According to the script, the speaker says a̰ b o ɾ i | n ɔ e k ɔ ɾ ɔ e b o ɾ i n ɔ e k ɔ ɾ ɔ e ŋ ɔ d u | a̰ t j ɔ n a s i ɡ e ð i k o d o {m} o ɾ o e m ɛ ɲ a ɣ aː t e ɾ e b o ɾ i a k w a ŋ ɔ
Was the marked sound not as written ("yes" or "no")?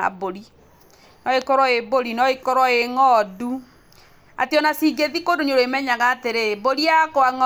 yes